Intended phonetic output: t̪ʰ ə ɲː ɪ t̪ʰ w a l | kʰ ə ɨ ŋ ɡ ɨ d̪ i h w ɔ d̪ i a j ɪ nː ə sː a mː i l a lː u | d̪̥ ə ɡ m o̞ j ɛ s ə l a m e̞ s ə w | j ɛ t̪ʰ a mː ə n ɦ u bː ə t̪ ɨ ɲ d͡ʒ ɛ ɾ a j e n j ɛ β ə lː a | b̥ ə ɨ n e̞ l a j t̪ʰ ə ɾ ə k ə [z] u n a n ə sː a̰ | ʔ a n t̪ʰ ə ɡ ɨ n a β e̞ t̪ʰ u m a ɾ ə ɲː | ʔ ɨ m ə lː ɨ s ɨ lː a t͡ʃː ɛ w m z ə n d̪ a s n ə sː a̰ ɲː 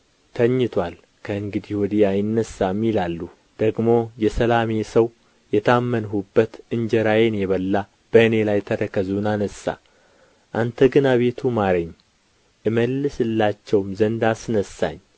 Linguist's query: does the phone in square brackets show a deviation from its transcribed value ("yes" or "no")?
no